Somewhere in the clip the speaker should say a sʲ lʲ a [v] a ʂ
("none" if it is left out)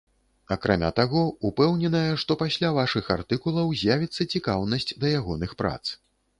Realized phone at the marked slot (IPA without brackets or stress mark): v